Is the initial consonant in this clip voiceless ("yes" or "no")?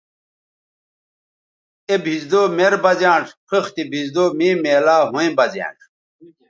no